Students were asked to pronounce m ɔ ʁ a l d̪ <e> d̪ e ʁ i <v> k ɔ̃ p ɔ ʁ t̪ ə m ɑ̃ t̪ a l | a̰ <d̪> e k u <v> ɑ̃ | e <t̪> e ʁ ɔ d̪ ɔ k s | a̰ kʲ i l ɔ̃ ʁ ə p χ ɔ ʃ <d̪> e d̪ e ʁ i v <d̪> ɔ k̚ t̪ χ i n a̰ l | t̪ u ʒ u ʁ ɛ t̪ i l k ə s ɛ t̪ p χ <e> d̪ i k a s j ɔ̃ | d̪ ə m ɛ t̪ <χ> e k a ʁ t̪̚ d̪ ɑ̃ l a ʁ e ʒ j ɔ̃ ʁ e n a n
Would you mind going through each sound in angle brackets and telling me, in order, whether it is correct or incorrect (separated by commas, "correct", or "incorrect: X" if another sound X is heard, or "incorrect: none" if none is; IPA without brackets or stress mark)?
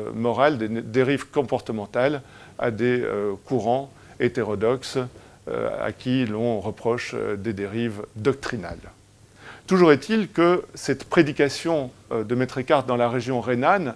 correct, correct, correct, incorrect: ʁ, correct, correct, correct, correct, correct